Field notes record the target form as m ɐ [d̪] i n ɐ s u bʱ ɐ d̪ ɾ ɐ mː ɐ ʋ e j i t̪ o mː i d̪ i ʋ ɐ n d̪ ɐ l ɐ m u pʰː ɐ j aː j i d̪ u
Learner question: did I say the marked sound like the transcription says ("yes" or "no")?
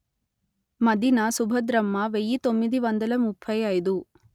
yes